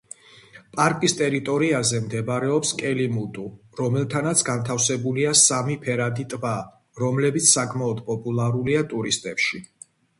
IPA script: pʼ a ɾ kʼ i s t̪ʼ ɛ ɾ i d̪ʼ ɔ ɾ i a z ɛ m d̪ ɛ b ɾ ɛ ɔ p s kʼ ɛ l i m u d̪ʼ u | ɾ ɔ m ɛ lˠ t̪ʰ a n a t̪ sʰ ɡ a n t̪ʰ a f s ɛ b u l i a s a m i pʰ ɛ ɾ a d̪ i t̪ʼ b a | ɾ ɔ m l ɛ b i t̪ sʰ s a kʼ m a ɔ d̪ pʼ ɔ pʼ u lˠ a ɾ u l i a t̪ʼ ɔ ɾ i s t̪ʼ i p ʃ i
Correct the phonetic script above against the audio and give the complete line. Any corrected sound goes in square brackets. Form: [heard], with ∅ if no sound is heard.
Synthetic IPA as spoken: pʼ a ɾ kʼ i s t̪ʼ ɛ ɾ i [t̪ʼ] ɔ ɾ i a z ɛ m d̪ ɛ b ɾ ɛ ɔ p s kʼ ɛ l i m u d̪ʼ u | ɾ ɔ m ɛ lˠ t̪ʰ a n a t̪ sʰ ɡ a n t̪ʰ a f s ɛ b u l i a s a m i pʰ ɛ ɾ a d̪ i t̪ʼ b a | ɾ ɔ m l ɛ b i t̪ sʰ s a kʼ m a ɔ d̪ pʼ ɔ pʼ u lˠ a ɾ u l i a t̪ʼ [u] ɾ i s t̪ʼ [ɛ] p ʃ i